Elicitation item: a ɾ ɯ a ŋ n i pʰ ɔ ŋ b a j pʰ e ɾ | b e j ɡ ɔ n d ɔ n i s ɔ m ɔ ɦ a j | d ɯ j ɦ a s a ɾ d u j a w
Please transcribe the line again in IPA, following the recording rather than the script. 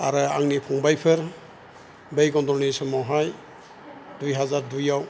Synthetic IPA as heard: a ɾ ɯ a ŋ n i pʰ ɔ ŋ b a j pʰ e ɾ | b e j ɡ ɔ n d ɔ n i s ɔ m ɔ ɦ a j | d u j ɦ a z a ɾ d u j a w